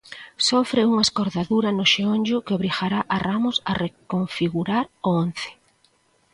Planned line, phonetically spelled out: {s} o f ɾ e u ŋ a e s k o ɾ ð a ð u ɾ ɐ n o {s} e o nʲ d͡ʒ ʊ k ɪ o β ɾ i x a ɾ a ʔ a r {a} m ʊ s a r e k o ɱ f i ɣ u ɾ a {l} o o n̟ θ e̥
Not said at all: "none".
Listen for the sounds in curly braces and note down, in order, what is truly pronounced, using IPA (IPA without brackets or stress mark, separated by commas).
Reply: s, ʃ, a, ɾ